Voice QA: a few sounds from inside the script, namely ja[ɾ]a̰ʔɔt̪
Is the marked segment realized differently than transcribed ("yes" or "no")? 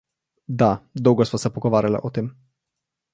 yes